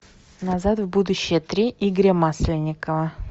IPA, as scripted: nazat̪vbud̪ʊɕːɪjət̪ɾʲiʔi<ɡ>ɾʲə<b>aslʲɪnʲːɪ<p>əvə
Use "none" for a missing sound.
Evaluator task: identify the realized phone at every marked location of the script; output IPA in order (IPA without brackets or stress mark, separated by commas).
ɡ, m, k